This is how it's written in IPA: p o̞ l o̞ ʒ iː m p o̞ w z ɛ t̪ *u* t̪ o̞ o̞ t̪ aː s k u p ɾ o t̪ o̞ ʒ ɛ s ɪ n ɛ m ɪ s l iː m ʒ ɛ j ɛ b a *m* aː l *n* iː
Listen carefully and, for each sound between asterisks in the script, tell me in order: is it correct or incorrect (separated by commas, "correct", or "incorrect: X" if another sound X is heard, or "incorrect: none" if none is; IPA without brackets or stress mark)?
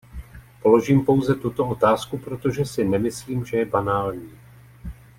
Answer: correct, incorrect: n, incorrect: ɲ